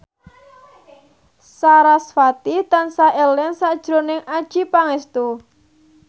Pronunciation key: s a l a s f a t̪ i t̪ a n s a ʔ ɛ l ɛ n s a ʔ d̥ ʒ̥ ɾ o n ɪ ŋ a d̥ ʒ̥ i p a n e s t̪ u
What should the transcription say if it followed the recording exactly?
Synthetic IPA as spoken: s a ɾ a s f a t̪ i t̪ a n s a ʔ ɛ l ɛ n s a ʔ d̥ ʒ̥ ɾ o n ɪ ŋ a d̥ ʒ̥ i p a ŋ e s t̪ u